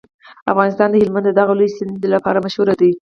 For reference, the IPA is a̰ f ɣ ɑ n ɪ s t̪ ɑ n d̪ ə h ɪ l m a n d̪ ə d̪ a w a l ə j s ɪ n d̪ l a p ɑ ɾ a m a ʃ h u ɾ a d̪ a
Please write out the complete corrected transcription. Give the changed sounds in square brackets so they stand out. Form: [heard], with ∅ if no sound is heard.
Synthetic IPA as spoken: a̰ f ɣ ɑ n ɪ s t̪ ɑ n d̪ ə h ɪ l m a n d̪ ə d̪ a [ɣ] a l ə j s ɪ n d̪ l a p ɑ ɾ a m a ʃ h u ɾ a d̪ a